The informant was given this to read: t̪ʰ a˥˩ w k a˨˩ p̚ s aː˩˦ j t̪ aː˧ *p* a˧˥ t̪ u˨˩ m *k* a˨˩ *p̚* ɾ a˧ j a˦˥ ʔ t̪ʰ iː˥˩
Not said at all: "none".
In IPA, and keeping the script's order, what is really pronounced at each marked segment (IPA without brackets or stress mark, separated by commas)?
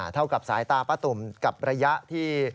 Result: p, k, p̚